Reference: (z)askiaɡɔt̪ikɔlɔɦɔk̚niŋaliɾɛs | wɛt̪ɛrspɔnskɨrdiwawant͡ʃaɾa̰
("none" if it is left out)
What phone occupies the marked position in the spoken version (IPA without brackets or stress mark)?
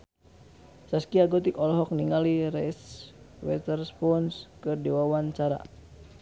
s